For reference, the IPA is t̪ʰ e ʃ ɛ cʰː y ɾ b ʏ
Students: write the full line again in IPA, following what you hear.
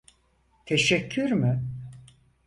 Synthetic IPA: t̪ʰ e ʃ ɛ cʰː y ɾ m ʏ